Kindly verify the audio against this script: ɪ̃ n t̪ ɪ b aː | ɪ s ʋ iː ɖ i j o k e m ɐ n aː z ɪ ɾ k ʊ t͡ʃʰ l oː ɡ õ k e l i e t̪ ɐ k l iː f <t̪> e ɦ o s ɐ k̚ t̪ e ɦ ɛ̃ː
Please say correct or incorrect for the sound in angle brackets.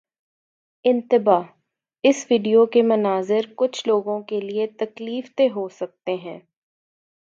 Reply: correct